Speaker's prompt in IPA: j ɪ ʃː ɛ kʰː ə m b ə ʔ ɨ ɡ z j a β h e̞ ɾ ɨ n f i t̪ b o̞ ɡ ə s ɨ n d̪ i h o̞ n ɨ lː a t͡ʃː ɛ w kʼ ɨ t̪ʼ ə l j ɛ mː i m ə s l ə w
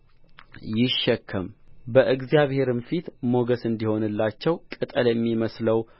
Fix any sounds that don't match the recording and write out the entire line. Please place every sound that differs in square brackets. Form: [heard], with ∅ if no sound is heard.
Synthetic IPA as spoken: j ɪ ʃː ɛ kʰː ə m b ə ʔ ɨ ɡ z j a β h e̞ ɾ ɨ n f i t̪ [m] o̞ ɡ ə s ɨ n d̪ i h o̞ n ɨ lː a t͡ʃː ɛ w kʼ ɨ t̪ʼ ə l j ɛ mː i m ə s l ə w